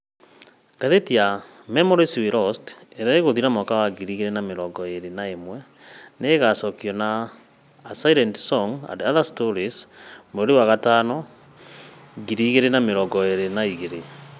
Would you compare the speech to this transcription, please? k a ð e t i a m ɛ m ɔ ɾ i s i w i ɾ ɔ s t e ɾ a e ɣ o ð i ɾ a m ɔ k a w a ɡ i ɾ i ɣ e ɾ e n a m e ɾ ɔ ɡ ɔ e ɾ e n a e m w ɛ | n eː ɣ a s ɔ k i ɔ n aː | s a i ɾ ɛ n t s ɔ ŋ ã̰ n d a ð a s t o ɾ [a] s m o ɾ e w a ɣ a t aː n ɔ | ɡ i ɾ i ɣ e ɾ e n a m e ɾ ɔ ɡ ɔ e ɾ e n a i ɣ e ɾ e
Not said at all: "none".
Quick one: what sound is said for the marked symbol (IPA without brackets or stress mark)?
i